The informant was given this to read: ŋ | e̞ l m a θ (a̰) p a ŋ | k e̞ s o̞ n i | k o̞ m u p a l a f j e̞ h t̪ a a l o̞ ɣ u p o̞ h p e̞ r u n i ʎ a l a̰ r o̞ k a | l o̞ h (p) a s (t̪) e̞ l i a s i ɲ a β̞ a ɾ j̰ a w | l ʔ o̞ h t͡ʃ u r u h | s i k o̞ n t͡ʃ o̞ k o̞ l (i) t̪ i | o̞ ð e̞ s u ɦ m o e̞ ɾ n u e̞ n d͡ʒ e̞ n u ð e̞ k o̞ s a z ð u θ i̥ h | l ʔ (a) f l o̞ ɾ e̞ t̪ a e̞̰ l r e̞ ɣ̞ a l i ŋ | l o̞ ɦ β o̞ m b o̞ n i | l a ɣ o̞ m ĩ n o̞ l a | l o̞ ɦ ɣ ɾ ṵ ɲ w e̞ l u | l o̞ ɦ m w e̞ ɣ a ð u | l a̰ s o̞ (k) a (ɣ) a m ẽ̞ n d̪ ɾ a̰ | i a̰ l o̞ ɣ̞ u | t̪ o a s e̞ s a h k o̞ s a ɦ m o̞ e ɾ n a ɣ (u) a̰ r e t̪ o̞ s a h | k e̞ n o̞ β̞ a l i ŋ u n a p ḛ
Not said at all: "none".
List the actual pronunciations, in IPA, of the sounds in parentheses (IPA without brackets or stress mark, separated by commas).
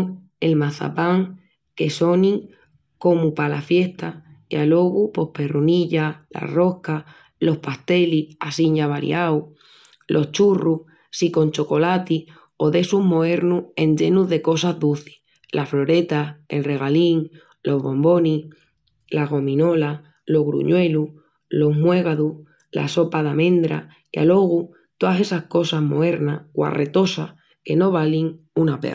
a̰, p, t̪, a, a, p, ð, w